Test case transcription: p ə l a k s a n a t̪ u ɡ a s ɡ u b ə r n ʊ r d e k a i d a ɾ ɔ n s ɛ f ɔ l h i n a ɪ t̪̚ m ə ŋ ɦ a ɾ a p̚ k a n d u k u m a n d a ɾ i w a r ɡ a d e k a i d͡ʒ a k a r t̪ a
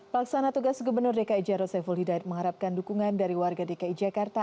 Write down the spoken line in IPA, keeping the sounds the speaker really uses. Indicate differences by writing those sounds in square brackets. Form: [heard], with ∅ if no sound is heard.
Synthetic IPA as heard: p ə l a k s a n a t̪ u ɡ a s ɡ u b ə r n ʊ r d e k a i [d͡ʒ] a ɾ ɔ [∅] s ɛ f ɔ l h i [d] a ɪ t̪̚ m ə ŋ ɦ a ɾ a p̚ k a n d u k u [ŋ] a n d a ɾ i w a r ɡ a d e k a i d͡ʒ a k a r t̪ a